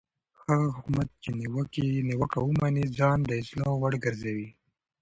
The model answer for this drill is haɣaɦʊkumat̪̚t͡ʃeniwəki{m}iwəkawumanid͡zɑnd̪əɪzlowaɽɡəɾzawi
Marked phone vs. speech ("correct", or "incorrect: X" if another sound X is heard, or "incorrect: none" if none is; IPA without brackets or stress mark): incorrect: n